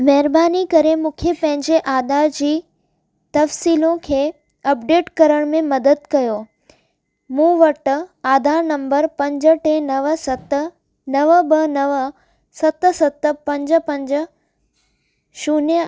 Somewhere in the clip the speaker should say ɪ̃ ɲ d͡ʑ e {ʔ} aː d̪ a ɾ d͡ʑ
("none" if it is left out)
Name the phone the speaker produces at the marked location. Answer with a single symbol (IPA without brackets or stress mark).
ʔ